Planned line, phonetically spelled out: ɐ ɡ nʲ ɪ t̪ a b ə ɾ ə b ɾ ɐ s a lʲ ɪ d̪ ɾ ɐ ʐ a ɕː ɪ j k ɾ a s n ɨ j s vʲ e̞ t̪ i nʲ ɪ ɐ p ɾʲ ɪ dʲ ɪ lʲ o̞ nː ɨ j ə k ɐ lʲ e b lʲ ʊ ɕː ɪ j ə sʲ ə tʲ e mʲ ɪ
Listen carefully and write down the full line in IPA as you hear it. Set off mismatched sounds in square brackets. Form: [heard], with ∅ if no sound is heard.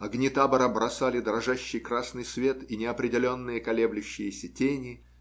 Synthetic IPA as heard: ɐ ɡ nʲ ɪ t̪ a b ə ɾ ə b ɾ ɐ s a lʲ ɪ d̪ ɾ ɐ ʐ a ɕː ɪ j k ɾ a s n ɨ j s vʲ e̞ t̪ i nʲ ɪ ɐ p ɾʲ ɪ dʲ ɪ lʲ o̞ nː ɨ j ə k ɐ lʲ e b lʲ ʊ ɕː ɪ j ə sʲ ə tʲ e [nʲ] ɪ